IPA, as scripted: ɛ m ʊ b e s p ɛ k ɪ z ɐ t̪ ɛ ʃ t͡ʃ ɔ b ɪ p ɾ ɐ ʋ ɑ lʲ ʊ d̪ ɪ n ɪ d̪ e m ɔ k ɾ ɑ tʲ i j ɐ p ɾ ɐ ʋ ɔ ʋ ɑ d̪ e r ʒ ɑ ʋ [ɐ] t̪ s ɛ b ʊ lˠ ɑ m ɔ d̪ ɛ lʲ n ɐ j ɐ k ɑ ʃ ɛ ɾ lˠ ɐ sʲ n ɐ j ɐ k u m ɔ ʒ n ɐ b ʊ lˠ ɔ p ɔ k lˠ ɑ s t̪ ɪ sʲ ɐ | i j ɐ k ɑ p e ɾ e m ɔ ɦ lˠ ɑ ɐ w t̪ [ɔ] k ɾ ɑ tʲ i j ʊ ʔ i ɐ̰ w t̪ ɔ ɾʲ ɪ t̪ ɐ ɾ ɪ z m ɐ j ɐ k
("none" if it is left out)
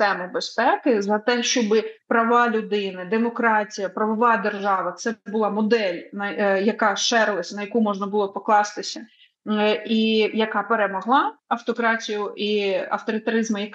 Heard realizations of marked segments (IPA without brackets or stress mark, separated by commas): ɐ, ɔ